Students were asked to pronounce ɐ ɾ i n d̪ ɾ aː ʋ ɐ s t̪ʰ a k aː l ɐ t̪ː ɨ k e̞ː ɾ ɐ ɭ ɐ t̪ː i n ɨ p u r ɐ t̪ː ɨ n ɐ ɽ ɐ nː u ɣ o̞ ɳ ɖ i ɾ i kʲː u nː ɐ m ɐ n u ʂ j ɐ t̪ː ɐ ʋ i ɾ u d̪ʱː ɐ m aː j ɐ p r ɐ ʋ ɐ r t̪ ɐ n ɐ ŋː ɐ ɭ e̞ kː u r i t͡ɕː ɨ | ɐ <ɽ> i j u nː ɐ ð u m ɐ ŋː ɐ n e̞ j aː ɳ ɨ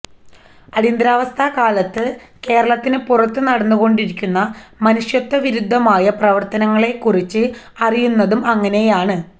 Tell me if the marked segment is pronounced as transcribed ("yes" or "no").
no